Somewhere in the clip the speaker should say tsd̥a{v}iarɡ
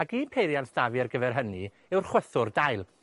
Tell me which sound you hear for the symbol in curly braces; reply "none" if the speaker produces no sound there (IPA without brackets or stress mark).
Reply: v